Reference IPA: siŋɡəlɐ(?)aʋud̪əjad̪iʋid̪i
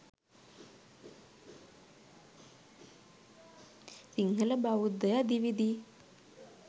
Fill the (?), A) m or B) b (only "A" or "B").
B